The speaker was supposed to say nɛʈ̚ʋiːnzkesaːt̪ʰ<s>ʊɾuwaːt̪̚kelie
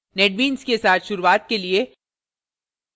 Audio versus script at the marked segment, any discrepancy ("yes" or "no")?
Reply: yes